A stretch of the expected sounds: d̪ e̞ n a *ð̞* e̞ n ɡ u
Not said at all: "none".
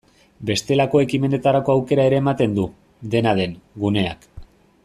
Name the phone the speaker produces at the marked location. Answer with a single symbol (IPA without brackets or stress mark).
ð̞